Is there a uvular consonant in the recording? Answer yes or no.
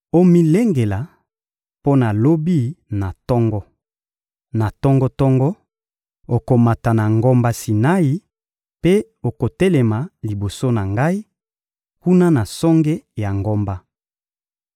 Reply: no